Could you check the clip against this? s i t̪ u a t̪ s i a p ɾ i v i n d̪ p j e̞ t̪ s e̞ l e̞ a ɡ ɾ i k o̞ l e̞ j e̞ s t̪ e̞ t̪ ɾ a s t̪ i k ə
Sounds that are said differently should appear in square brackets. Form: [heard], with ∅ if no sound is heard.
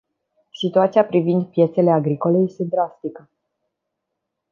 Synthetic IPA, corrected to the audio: s i t̪ u a t̪ s i a p ɾ i v i n d̪ p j e̞ t̪ s e̞ l e̞ a ɡ ɾ i k o̞ l e̞ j e̞ s t̪ e̞ [d̪] ɾ a s t̪ i k ə